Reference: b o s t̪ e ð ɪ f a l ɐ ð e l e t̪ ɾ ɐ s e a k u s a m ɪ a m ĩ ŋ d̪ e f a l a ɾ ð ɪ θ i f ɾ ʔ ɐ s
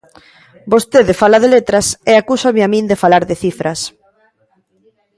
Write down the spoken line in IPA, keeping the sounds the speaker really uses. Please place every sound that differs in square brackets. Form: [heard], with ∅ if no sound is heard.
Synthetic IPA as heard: b o s t̪ e ð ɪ f a l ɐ ð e l e t̪ ɾ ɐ s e a k u s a m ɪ a m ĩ [n] d̪ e f a l a ɾ ð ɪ θ i f ɾ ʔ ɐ s